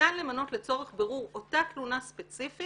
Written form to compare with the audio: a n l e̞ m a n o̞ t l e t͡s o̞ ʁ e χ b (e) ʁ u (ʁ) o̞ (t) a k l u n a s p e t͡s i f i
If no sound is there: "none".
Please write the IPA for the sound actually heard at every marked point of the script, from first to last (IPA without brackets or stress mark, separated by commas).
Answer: e, ʁ, t